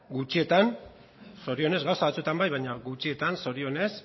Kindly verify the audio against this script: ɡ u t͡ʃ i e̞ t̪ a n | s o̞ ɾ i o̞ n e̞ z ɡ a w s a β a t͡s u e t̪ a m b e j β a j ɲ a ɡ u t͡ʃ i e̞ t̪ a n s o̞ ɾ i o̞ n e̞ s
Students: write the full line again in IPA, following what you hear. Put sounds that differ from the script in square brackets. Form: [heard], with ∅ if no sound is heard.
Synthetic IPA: ɡ u t͡ʃ i e̞ t̪ a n | s o̞ ɾ i o̞ n e̞ z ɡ a w s a β a t͡s u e t̪ a m b [a] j β a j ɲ a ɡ u t͡ʃ i e̞ t̪ a n s o̞ ɾ i o̞ n e̞ s